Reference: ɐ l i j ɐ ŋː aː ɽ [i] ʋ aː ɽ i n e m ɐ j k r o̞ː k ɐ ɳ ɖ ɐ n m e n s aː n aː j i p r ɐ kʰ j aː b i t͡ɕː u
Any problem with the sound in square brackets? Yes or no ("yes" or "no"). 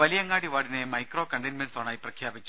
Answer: no